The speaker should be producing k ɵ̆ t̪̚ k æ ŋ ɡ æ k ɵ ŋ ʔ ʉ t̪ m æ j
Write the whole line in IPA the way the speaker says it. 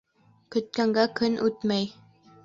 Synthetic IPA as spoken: k ɵ̆ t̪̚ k æ ŋ ɡ æ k ɵ n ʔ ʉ t̪ m æ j